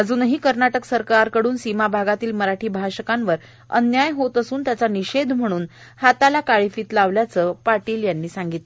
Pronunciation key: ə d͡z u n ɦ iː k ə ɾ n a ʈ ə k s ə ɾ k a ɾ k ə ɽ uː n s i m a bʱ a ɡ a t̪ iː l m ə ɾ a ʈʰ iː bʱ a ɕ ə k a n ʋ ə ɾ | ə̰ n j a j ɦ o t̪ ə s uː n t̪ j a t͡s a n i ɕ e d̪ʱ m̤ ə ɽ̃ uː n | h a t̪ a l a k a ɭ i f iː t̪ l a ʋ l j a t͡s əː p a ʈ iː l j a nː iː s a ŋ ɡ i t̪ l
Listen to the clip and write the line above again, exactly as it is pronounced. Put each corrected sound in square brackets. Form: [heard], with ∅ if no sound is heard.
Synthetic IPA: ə d͡z [uː] n ɦ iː k ə ɾ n a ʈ ə k s ə ɾ k a ɾ k ə ɽ uː n s i m a bʱ a ɡ a t̪ iː l m ə ɾ a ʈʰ iː bʱ a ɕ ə k a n ʋ ə ɾ | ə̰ n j a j ɦ o t̪ ə s uː n t̪ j a t͡s a n i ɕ e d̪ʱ m̤ ə ɽ̃ uː n | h a t̪ a l a k a ɭ i f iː t̪ l a ʋ l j a t͡s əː p a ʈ iː l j a nː iː s a ŋ ɡ i t̪ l